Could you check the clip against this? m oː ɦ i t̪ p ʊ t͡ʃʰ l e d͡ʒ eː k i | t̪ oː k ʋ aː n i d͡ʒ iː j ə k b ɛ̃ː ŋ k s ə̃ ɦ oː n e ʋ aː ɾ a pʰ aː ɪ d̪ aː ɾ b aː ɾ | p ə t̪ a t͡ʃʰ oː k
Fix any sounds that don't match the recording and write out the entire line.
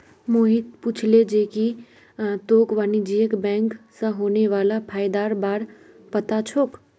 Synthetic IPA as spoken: m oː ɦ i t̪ p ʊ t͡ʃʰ l e d͡ʒ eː k i | t̪ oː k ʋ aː n i d͡ʒ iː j ə k b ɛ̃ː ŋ k s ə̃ ɦ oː n e ʋ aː l a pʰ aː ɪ d̪ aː ɾ b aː ɾ | p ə t̪ a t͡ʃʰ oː k